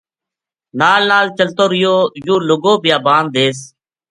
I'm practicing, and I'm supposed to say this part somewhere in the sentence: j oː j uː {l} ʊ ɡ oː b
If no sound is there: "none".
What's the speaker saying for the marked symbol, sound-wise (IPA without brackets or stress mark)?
l